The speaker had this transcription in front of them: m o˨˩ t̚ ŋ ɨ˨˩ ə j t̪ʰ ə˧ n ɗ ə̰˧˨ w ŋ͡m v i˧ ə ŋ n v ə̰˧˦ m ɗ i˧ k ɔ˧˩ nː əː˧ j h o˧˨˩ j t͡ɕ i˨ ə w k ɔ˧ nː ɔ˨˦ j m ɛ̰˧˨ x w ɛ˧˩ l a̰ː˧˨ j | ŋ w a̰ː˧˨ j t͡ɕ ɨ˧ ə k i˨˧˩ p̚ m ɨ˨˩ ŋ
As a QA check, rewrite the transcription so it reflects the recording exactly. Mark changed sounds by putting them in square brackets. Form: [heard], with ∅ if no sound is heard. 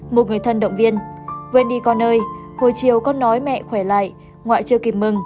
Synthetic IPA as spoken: m o˨˩ t̚ ŋ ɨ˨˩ ə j t̪ʰ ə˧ n ɗ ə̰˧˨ w ŋ͡m v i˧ ə [∅] n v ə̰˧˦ [n] ɗ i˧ k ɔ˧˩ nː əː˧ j h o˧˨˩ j t͡ɕ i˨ ə w k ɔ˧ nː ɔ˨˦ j m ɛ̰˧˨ x w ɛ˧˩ l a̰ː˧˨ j | ŋ w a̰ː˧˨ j t͡ɕ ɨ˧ ə k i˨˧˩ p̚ m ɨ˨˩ ŋ

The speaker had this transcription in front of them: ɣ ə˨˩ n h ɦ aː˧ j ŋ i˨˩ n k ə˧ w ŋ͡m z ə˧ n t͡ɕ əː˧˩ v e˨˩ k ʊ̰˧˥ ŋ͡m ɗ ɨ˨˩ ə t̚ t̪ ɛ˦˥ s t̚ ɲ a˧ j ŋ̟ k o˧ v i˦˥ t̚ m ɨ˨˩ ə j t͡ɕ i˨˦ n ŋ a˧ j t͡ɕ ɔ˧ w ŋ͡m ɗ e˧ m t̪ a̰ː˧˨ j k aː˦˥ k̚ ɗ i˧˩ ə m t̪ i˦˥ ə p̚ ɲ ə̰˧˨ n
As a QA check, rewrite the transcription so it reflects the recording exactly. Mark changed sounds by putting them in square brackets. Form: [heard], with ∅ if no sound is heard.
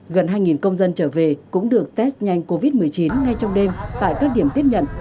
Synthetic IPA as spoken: ɣ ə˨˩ n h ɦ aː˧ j ŋ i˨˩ n k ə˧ w ŋ͡m z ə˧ n t͡ɕ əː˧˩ v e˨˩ k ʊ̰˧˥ ŋ͡m ɗ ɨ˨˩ ə [k̚] t̪ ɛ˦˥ s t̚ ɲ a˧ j ŋ̟ k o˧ v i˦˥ t̚ m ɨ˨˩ ə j t͡ɕ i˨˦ n ŋ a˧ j t͡ɕ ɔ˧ w ŋ͡m ɗ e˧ m t̪ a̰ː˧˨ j k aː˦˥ k̚ ɗ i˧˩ ə m t̪ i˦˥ ə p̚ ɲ ə̰˧˨ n

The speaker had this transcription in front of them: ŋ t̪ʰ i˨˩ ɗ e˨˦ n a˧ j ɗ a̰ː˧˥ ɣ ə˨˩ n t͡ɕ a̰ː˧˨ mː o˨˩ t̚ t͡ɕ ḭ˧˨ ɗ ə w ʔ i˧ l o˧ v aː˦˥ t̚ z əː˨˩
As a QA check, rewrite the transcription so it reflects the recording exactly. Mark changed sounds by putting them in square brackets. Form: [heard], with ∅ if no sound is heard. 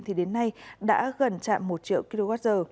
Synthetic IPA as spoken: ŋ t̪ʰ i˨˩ ɗ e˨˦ [nː] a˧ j ɗ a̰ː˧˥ ɣ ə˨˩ n t͡ɕ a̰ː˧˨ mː o˨˩ t̚ t͡ɕ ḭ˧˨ [∅] ə w [k] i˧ l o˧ [ɣ] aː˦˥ t̚ z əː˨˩

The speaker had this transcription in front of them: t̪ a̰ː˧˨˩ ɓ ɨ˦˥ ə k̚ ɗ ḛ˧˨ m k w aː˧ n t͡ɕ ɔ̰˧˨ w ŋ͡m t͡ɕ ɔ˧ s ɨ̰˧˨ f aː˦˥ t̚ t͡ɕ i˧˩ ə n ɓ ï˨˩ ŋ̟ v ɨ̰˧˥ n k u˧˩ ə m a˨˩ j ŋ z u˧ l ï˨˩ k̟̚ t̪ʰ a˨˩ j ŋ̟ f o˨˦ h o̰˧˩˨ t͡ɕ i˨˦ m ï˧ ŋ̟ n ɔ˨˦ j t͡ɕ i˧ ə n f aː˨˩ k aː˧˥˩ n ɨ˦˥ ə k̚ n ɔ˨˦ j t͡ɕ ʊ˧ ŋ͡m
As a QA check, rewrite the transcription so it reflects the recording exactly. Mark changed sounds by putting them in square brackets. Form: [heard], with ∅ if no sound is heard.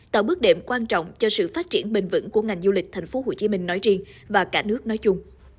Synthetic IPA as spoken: t̪ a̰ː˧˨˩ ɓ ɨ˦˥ ə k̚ ɗ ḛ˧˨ m k w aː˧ n t͡ɕ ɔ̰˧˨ w ŋ͡m t͡ɕ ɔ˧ s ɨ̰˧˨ f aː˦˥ t̚ t͡ɕ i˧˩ ə n ɓ ï˨˩ ŋ̟ v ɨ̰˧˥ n k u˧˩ ə [ŋ] a˨˩ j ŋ z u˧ l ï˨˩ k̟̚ t̪ʰ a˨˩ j ŋ̟ f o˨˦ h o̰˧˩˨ t͡ɕ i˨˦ m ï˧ ŋ̟ n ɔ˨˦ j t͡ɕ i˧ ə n [v] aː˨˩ k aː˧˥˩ n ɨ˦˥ ə k̚ n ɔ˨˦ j t͡ɕ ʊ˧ ŋ͡m

